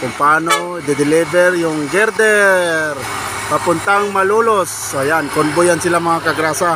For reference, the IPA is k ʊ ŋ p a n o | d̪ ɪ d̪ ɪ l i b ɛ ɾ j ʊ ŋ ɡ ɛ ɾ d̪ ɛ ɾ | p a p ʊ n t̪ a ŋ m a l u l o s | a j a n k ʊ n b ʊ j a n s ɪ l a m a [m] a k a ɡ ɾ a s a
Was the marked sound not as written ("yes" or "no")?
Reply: yes